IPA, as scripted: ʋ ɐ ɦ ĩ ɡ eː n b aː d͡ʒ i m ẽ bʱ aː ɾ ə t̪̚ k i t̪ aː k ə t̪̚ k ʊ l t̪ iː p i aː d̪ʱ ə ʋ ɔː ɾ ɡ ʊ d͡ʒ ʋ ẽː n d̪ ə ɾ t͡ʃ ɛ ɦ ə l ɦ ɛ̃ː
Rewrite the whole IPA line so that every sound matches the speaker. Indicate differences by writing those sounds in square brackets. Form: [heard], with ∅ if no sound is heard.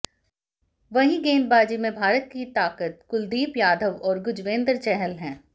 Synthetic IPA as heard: ʋ ɐ ɦ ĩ ɡ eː n b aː d͡ʒ i m ẽ bʱ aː ɾ ə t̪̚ k i t̪ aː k ə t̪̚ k ʊ l [d̪] iː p [j] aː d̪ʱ ə ʋ ɔː ɾ ɡ ʊ d͡ʒ ʋ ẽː n d̪ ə ɾ t͡ʃ ɛ ɦ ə l ɦ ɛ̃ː

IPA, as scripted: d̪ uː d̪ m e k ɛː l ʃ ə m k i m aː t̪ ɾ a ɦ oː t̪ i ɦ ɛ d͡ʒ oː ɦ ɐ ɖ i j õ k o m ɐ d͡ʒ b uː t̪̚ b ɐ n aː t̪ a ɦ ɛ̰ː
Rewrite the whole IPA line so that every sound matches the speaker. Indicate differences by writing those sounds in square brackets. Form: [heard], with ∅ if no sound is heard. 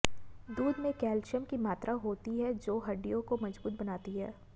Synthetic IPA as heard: d̪ uː d̪ m [ẽ] k ɛː l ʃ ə m k i m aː t̪ ɾ a ɦ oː t̪ i ɦ ɛ d͡ʒ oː ɦ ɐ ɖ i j õ k o m ɐ d͡ʒ b uː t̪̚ b ɐ n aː t̪ [i] ɦ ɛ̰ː

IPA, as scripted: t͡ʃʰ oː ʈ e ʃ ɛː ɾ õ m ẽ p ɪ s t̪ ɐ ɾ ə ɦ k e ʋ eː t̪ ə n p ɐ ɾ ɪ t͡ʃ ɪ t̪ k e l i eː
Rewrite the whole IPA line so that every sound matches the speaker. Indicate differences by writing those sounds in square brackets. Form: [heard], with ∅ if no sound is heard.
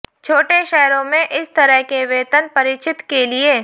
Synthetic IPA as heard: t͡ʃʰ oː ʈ e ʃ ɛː ɾ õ m ẽ [ʔ] ɪ s t̪ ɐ ɾ ə ɦ k e ʋ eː t̪ ə n p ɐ ɾ ɪ t͡ʃ ɪ t̪ k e l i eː

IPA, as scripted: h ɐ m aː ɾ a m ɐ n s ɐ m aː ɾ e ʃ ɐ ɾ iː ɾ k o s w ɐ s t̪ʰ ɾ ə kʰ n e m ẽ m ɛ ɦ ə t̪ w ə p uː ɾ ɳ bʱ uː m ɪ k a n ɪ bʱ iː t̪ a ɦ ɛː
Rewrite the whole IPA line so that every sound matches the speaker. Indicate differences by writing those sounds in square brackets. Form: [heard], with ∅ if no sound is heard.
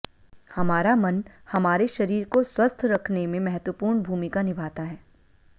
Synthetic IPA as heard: h ɐ m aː ɾ a m ɐ n [h] ɐ m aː ɾ e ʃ ɐ ɾ iː ɾ k o s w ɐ s t̪ʰ ɾ [ɐ] kʰ n e m ẽ m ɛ ɦ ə t̪ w ə p uː ɾ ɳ bʱ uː m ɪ k a n ɪ bʱ [aː] t̪ a ɦ ɛː

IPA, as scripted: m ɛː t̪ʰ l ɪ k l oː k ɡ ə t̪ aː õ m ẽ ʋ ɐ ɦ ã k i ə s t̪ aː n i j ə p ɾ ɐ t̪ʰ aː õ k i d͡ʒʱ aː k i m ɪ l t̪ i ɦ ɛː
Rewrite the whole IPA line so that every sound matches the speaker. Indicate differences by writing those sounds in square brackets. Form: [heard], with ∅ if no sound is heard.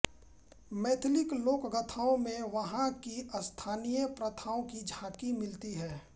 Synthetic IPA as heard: m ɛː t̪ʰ l ɪ k l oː k ɡ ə [t̪ʰ] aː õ m ẽ ʋ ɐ ɦ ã k i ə s [t̪ʰ] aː n i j ə p ɾ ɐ t̪ʰ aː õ k i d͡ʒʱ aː k i m ɪ l t̪ i ɦ ɛː

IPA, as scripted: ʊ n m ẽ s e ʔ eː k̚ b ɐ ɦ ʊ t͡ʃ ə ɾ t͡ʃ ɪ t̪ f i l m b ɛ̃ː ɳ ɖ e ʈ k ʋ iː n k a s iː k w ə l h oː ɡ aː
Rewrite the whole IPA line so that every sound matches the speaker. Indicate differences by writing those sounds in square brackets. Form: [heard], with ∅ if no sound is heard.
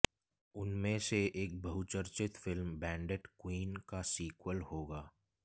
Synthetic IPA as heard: ʊ n m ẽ s e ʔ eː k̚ b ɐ ɦ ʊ t͡ʃ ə ɾ t͡ʃ ɪ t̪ f [ɪ] l m b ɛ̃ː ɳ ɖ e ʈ k [w] iː n k a s iː k w ə l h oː ɡ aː

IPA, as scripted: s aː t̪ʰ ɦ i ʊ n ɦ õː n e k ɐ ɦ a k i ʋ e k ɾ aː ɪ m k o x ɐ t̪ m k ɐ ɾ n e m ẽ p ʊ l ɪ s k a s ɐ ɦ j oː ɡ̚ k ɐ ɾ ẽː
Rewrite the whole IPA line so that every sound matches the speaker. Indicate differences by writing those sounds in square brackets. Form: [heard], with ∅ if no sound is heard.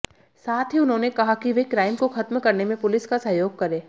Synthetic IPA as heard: s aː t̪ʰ ɦ i ʊ n ɦ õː n e k ɐ ɦ a k i ʋ e k ɾ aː ɪ m k o x ɐ t̪ m k ɐ ɾ n e m ẽ p ʊ l ɪ s k a s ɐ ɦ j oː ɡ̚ k ɐ ɾ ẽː

